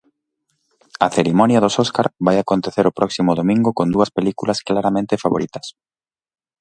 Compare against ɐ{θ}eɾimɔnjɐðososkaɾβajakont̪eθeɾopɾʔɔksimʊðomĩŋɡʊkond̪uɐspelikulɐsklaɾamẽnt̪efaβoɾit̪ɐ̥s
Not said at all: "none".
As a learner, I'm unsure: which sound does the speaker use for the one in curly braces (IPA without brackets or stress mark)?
θ